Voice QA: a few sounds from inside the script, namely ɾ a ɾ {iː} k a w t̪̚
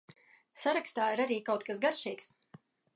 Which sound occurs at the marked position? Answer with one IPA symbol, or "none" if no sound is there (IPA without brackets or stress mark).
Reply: iː